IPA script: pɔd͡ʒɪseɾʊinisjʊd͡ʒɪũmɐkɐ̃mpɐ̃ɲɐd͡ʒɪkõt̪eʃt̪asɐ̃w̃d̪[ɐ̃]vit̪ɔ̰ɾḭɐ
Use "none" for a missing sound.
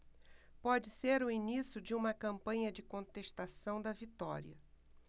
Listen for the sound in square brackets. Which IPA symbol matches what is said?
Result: ɐ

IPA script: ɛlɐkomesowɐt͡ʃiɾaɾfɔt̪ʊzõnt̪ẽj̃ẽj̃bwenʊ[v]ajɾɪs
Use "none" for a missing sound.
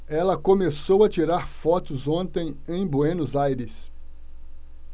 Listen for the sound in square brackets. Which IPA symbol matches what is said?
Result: z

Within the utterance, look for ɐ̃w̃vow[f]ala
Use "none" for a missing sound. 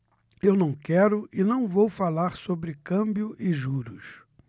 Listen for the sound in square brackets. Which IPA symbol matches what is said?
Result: f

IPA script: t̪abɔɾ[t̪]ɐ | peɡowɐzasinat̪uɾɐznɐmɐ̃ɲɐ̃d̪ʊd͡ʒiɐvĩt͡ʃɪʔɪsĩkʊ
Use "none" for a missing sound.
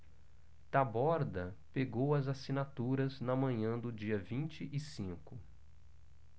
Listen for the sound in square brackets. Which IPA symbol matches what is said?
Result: d̪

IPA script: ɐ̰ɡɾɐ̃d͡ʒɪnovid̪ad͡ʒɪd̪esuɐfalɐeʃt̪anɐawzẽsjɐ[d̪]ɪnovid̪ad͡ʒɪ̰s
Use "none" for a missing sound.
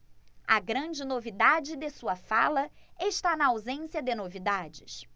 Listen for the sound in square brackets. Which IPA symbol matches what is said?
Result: d̪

